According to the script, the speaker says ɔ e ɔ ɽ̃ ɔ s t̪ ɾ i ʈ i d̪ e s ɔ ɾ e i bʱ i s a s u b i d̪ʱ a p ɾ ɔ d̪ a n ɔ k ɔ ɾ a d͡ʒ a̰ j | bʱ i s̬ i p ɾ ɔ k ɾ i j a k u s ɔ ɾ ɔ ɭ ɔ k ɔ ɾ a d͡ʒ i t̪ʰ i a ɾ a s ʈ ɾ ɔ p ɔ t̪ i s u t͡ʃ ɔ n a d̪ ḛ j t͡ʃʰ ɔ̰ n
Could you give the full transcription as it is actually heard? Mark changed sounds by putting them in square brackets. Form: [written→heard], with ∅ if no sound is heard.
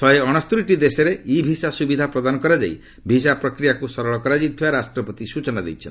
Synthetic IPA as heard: ɔ e ɔ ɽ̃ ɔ s t̪ ɾ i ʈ i d̪ e s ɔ ɾ e i bʱ i s a s u b i d̪ʱ a p ɾ ɔ d̪ a n ɔ k ɔ ɾ a d͡ʒ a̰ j | bʱ i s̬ [i→a] p ɾ ɔ k ɾ i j a k u s ɔ ɾ ɔ ɭ ɔ k ɔ ɾ a d͡ʒ i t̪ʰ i a ɾ a s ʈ ɾ ɔ p ɔ t̪ i s u t͡ʃ ɔ n a d̪ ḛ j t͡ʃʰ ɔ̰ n